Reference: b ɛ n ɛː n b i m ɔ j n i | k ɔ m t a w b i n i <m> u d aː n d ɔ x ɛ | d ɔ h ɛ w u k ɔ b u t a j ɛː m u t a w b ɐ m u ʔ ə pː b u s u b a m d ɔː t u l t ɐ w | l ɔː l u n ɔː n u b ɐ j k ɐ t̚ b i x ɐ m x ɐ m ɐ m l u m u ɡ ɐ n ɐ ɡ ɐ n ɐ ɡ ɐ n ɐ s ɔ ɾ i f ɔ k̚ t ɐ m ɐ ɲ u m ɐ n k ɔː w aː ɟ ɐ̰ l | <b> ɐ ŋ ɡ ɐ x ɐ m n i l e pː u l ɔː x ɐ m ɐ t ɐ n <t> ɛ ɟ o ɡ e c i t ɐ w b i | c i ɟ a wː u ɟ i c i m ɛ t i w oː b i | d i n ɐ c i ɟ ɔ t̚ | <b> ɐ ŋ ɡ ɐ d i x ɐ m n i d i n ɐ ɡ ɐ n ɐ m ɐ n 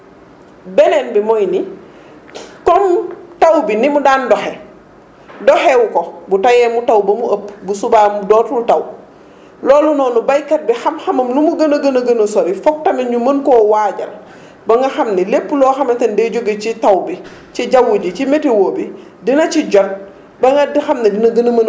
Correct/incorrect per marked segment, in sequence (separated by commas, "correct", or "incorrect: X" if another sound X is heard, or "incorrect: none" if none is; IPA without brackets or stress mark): correct, correct, incorrect: d, correct